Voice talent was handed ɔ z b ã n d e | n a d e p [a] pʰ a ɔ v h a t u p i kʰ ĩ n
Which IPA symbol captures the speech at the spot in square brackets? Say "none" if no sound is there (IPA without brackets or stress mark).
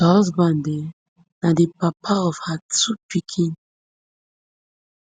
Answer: a